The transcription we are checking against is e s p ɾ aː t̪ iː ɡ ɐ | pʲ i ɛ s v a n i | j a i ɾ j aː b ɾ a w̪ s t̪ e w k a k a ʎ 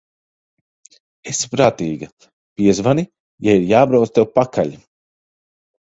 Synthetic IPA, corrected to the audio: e s p ɾ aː t̪ iː ɡ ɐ | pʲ i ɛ z v a n i | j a i ɾ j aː b ɾ a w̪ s t̪ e w p a k a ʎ